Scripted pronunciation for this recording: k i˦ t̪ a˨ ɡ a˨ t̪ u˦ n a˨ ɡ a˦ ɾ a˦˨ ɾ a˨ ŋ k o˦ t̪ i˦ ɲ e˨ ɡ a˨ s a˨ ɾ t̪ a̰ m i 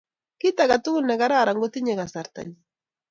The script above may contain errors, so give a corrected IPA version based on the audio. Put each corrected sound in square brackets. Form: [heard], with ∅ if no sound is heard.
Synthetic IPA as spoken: k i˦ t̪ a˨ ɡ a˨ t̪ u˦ n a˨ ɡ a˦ ɾ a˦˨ ɾ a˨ ŋ [ɡ] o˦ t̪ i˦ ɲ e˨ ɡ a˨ s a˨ ɾ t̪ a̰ [ɲ] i